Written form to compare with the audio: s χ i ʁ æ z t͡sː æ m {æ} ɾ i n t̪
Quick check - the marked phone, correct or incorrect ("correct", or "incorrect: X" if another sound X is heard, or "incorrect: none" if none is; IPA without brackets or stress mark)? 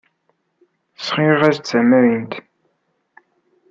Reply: correct